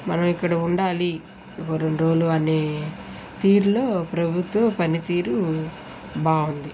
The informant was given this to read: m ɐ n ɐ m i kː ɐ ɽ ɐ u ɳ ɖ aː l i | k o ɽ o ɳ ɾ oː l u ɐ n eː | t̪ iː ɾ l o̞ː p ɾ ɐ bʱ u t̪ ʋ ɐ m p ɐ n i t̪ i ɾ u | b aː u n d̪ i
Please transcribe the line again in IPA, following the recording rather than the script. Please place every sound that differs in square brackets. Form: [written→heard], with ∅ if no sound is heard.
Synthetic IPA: m ɐ n ɐ m i kː ɐ ɽ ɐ u ɳ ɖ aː l i | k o [ɽ→ɾ] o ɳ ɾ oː l u ɐ n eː | t̪ iː ɾ l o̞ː p ɾ ɐ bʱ u t̪ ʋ ɐ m p ɐ n i t̪ [i→iː] ɾ u | b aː u n d̪ i